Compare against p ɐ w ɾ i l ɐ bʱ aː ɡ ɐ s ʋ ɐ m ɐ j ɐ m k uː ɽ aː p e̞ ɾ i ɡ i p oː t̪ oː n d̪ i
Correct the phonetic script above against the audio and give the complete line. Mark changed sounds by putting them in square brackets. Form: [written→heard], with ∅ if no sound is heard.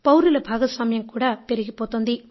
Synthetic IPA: p ɐ w ɾ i l ɐ bʱ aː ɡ ɐ s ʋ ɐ m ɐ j ɐ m k uː ɽ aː p e̞ ɾ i ɡ i p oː t̪ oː n d̪ i